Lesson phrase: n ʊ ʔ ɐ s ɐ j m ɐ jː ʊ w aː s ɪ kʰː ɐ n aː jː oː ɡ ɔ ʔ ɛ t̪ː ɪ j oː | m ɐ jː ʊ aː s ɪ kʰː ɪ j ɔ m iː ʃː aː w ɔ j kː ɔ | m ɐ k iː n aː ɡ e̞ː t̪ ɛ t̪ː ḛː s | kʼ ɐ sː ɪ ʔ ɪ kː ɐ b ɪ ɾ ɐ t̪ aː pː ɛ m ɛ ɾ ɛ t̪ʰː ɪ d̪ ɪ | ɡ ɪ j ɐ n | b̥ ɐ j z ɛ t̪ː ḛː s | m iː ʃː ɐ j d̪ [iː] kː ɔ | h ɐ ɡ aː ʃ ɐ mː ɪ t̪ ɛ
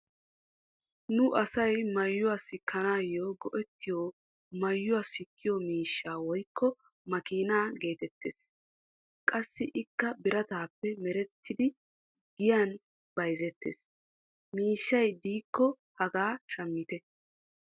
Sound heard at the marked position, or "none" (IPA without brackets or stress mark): iː